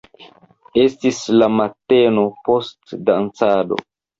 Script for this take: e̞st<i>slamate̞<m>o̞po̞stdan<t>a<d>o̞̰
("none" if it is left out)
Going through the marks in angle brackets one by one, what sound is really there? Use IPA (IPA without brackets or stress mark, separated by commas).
i, n, t͡s, d